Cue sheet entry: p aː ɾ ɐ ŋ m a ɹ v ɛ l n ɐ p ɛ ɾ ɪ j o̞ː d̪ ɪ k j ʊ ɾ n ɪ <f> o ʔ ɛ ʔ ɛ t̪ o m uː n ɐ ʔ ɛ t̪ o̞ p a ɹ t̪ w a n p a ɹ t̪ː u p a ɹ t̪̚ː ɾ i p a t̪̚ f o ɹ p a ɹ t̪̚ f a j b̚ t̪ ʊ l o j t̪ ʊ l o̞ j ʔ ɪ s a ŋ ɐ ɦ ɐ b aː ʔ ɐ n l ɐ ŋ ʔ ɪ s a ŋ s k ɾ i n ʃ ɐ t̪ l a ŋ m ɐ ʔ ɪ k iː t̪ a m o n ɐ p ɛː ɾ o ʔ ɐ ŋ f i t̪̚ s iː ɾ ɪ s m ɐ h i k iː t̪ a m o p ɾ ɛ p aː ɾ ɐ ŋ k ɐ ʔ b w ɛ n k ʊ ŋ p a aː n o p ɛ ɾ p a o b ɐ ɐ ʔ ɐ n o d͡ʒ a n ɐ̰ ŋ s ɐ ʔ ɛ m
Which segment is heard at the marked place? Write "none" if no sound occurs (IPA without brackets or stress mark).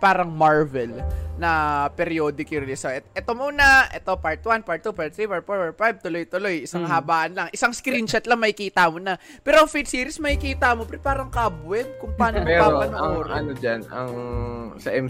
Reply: s